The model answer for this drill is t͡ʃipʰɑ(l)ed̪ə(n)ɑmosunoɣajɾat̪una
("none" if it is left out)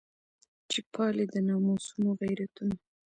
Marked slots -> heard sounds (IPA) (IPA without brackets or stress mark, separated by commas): l, n